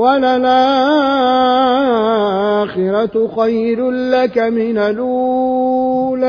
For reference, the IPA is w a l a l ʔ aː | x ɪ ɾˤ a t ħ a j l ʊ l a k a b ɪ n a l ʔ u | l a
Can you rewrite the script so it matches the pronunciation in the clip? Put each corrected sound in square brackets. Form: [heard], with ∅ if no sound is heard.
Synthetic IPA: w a l a l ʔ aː | x ɪ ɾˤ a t [x] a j [ɾ] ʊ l a k a [m] ɪ n a l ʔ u | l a